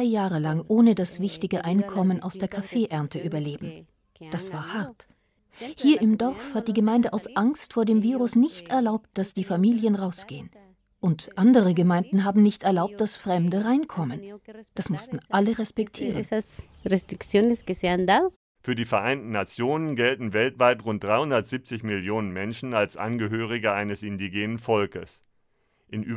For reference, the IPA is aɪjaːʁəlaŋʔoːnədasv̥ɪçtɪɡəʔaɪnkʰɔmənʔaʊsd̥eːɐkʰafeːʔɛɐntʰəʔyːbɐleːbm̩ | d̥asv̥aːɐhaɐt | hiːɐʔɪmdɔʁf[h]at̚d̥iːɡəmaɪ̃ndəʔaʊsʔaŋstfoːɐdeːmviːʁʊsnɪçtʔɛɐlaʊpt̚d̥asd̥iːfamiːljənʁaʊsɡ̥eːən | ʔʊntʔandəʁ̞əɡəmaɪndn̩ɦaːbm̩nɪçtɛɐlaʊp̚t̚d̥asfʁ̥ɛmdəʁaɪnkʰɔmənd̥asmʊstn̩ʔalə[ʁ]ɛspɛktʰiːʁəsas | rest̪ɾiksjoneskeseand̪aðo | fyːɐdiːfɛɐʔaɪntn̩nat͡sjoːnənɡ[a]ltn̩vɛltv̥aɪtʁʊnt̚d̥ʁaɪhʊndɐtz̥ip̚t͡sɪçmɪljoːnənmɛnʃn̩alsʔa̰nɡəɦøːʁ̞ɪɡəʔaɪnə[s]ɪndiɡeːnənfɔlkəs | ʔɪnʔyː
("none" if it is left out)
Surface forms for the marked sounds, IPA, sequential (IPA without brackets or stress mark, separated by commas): h, ʁ, ɛ, s